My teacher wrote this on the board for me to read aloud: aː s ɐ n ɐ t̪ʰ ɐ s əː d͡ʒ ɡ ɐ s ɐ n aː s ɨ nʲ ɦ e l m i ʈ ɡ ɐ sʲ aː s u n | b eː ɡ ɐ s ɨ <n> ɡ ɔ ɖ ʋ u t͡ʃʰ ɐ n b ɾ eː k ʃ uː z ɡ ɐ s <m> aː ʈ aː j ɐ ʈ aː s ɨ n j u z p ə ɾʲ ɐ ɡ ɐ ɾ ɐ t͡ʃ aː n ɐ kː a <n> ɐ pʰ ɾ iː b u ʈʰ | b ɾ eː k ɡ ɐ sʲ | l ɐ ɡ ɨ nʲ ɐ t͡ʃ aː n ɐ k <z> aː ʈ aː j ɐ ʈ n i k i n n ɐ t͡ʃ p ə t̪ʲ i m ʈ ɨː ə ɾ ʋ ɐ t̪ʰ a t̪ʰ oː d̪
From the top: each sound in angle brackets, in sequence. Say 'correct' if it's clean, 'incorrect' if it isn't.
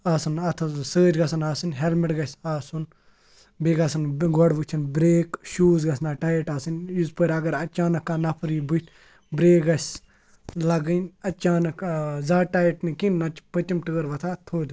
correct, incorrect: n, correct, correct

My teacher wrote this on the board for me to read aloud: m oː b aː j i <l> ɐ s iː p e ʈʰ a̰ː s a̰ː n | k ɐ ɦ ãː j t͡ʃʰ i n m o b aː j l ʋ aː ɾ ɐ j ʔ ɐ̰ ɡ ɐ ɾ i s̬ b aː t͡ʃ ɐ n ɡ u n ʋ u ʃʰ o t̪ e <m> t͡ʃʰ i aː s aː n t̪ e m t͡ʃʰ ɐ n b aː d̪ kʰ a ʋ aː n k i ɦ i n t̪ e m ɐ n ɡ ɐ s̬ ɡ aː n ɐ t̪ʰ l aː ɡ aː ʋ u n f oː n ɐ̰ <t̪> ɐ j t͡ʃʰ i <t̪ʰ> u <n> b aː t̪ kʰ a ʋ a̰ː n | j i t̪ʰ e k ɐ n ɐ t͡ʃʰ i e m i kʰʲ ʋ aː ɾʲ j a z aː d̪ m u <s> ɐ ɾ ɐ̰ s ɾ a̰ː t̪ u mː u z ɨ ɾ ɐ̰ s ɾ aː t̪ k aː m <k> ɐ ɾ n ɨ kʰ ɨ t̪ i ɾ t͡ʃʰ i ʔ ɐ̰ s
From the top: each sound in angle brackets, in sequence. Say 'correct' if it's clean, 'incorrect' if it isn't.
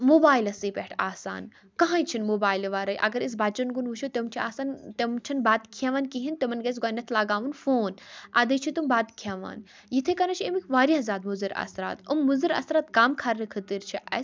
correct, correct, incorrect: d̪, incorrect: t̪, incorrect: m, incorrect: z, incorrect: kʰ

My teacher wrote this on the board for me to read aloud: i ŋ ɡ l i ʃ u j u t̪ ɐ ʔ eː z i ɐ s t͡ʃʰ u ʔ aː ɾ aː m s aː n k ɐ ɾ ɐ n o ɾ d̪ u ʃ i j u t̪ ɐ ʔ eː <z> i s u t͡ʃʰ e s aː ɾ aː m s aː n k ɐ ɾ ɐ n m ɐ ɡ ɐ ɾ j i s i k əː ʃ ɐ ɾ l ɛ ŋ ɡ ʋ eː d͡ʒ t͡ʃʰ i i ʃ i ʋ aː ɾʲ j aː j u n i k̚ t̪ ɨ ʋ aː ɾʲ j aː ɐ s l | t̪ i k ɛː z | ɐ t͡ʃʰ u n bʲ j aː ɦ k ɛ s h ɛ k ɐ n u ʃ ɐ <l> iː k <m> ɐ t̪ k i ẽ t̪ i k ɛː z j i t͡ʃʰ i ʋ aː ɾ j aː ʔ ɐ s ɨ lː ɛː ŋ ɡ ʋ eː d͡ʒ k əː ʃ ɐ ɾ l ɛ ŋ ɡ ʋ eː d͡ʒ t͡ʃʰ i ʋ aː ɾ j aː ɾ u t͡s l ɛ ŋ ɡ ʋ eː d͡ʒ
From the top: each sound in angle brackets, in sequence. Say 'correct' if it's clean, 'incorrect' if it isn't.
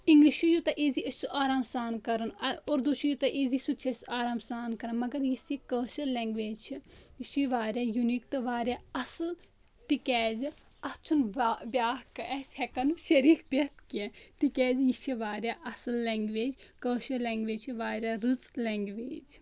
correct, incorrect: ɾ, incorrect: b

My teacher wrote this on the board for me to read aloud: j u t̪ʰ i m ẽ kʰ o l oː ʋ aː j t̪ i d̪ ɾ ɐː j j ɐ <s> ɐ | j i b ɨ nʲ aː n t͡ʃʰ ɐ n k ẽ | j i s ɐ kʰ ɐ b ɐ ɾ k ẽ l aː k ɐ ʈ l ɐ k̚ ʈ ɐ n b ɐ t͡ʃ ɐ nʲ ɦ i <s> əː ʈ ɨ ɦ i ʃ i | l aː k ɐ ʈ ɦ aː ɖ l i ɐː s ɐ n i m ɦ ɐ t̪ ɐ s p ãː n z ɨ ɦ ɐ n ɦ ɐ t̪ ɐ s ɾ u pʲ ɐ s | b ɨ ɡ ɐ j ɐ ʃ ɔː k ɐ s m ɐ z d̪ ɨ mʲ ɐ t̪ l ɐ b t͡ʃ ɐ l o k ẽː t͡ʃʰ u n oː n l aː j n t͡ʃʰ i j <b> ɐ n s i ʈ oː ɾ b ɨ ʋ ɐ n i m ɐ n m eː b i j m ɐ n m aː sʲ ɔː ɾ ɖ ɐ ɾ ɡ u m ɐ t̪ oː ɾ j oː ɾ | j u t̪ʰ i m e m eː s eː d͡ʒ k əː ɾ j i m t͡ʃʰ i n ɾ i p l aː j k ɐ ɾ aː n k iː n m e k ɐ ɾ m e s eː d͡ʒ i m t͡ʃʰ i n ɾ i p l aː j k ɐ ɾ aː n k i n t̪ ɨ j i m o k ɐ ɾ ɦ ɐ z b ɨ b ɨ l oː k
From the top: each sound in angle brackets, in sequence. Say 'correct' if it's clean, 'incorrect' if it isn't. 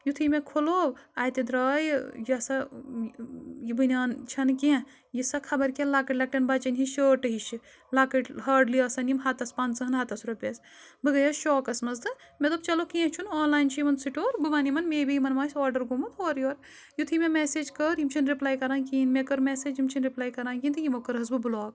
correct, incorrect: ʃ, incorrect: m

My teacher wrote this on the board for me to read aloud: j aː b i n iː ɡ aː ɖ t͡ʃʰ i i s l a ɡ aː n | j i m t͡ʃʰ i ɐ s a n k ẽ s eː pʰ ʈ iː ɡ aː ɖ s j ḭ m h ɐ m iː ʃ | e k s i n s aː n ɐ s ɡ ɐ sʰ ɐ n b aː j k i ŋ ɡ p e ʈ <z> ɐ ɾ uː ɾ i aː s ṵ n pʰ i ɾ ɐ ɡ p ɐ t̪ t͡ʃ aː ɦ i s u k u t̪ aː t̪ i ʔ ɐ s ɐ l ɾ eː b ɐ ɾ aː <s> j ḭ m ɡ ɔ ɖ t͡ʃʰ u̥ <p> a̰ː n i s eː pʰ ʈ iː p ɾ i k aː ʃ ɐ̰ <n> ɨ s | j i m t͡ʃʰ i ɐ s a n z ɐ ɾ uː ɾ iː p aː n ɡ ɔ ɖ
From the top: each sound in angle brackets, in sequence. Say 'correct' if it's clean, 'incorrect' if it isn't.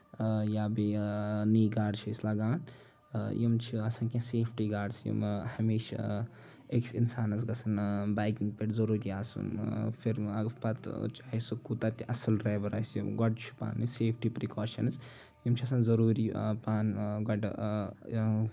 correct, correct, correct, correct

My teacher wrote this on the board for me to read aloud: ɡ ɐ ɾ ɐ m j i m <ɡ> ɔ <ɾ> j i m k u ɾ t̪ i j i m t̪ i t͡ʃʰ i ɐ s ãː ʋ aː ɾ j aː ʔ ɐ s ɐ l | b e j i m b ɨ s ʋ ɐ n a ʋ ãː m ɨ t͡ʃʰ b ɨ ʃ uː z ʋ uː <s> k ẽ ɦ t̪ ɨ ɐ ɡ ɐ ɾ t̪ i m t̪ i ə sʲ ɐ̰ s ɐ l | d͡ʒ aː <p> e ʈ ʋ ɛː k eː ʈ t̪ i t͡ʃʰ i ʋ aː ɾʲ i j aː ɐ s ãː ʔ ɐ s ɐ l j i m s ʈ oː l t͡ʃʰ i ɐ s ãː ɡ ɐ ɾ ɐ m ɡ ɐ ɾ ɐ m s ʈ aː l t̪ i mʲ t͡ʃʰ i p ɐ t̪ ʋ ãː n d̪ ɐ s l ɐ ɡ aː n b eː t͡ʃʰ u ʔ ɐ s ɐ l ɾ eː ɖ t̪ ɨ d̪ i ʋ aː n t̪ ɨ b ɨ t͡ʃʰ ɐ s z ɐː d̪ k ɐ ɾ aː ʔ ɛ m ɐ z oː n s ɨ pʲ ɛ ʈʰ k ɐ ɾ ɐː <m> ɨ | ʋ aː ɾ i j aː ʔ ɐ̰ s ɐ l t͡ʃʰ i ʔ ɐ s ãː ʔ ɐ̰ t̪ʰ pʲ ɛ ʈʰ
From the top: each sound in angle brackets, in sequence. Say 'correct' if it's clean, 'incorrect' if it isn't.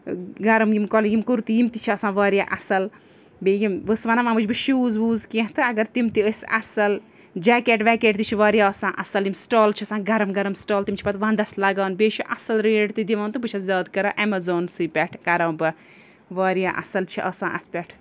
incorrect: k, incorrect: l, incorrect: z, incorrect: k, incorrect: b

